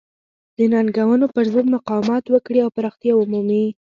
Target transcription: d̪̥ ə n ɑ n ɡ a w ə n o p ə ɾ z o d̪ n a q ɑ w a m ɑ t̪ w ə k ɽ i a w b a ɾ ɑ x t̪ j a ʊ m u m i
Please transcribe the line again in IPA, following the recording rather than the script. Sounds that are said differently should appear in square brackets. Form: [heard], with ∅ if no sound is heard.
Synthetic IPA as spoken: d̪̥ ə n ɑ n ɡ a w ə n o p ə ɾ z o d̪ [m] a q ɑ w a m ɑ t̪ w ə k ɽ i a w [p] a ɾ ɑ x t̪ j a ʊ m u m i